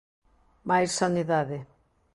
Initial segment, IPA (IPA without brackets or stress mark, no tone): m